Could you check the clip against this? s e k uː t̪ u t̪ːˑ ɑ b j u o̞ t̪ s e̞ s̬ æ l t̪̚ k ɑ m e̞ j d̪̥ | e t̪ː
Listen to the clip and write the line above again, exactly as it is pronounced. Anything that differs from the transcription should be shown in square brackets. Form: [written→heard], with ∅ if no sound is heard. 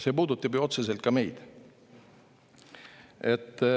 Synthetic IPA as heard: s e [k→p] uː [t̪→d̪] u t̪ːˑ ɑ b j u o̞ t̪ s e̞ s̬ [æ→e] l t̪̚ k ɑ m e̞ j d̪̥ | e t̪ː

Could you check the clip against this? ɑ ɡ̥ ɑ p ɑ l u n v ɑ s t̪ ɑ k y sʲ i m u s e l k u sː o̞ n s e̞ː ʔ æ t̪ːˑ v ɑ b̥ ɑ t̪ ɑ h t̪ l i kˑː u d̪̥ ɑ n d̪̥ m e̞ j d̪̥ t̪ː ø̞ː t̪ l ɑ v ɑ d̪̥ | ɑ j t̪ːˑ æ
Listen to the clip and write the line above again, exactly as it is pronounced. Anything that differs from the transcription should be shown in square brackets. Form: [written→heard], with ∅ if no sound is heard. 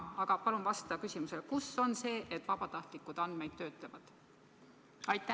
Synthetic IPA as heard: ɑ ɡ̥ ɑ p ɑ l u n v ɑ s t̪ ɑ k y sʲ i m u s e l k u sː o̞ n s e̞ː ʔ [æ→e] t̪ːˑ v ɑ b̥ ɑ t̪ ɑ h t̪ l i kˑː u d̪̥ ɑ n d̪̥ m e̞ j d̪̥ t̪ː ø̞ː t̪ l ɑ v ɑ d̪̥ | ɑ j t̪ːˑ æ

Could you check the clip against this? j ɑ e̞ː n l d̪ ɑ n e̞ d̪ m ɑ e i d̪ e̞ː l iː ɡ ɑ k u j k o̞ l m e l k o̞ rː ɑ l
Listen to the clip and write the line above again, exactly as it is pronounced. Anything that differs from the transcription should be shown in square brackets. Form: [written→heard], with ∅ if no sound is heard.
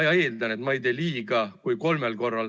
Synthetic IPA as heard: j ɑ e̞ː [n→∅] l d̪ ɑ n e̞ [d̪→t̪] m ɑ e [i→j] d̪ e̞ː l iː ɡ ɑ k u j k o̞ l m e l k o̞ rː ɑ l

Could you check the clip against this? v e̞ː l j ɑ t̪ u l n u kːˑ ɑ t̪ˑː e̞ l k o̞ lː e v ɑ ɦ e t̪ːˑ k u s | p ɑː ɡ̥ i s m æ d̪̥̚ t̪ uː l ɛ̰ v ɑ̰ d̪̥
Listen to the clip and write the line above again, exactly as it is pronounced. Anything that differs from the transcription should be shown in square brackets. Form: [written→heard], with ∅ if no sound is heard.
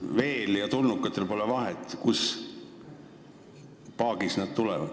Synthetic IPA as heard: v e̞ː l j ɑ t̪ u l n u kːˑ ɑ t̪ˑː e̞ l [k→p] o̞ [lː→l] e v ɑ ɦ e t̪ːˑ k u s | p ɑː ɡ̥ i s [m→n] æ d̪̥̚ t̪ [uː→u] l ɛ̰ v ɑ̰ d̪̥

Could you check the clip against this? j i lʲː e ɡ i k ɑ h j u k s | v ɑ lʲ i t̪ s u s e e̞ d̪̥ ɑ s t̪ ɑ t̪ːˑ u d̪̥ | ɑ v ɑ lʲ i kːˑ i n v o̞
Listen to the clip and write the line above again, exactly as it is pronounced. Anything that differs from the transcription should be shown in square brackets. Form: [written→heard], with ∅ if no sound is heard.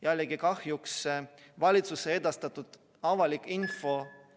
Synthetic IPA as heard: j [i→æ] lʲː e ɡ i k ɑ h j u k s | v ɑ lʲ i t̪ s u s e e̞ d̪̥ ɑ s t̪ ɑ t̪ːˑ u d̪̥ | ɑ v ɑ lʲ i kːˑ i n [v→f] o̞

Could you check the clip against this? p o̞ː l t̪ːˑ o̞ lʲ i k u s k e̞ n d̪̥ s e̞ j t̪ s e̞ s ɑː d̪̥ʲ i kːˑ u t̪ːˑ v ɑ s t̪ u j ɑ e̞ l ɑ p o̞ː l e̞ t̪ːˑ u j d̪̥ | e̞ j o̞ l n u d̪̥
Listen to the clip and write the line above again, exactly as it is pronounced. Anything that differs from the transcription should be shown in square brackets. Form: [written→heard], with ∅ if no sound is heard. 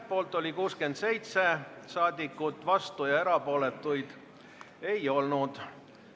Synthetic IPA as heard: p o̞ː l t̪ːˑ o̞ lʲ i k [u→uː] s k e̞ n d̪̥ s e̞ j t̪ s e̞ s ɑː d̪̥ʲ i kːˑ u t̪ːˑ v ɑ s t̪ u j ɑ e̞ [l→ɾ] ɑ p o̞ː l e̞ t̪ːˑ u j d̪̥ | e̞ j o̞ l n u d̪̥

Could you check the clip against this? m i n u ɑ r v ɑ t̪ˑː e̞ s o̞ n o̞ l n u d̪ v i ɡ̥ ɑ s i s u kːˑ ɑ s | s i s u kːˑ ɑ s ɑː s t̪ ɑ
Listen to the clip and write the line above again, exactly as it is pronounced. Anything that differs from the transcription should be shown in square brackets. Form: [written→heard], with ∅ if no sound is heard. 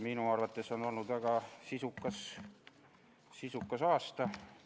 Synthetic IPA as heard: m i n u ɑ r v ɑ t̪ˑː e̞ s o̞ n o̞ l n u d̪ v [i→æ] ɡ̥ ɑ s i s u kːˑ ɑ s | s i s u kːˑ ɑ s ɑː s t̪ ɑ

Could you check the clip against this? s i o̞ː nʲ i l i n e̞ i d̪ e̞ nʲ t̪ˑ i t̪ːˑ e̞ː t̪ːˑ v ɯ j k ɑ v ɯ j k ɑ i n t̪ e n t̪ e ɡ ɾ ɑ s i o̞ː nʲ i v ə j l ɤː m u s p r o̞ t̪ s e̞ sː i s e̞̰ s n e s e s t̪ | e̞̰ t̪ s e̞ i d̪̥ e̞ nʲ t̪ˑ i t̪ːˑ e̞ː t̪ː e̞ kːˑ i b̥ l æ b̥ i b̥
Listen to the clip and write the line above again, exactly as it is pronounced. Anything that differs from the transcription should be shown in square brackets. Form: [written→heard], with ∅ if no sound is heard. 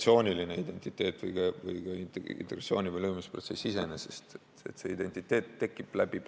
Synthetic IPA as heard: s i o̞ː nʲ i l i n e̞ i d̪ e̞ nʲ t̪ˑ i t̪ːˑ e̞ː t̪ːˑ v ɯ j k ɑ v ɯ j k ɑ i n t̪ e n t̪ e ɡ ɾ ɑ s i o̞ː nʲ i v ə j l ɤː m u s p r o̞ t̪ s e̞ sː i s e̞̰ [s→∅] n e s e s t̪ | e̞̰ t̪ s e̞ i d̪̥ e̞ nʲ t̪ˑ i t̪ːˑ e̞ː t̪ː e̞ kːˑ i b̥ l æ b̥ i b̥

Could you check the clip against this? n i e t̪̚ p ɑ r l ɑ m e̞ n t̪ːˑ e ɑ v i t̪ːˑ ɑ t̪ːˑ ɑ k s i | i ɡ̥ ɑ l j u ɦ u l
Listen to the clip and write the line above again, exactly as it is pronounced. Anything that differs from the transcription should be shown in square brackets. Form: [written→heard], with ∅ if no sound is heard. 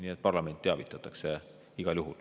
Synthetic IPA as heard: n i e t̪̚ p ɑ r l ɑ m e̞ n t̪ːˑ e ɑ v i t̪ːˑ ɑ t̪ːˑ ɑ k s [i→e] | i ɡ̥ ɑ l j u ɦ u l

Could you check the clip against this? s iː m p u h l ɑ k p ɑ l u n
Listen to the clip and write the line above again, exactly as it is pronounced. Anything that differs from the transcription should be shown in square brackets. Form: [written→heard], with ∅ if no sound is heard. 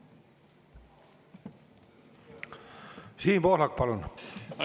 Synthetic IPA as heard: s iː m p [u→o] h l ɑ k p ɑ l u n

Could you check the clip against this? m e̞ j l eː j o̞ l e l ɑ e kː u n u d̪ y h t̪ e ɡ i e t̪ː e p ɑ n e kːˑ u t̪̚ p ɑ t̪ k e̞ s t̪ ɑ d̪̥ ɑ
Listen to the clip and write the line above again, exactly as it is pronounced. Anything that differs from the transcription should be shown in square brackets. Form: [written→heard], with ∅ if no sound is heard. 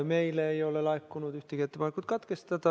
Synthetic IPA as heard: m e̞ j l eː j o̞ l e l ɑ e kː u n u d̪ y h t̪ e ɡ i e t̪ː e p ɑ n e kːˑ u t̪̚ [p→k] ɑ t̪ k e̞ s t̪ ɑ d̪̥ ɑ

